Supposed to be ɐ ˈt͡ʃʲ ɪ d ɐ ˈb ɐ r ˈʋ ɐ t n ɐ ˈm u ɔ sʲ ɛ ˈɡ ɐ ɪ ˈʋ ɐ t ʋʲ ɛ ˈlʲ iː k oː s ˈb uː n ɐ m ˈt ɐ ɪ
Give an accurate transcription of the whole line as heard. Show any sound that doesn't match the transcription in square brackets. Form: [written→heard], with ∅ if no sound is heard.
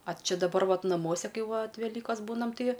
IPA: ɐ ˈt͡ʃʲ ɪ d ɐ ˈb ɐ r ˈʋ ɐ t n ɐ ˈm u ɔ sʲ ɛ [ˈɡ→ˈk] ɐ ɪ ˈʋ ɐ t ʋʲ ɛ ˈlʲ iː k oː s ˈb uː n ɐ m ˈt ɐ ɪ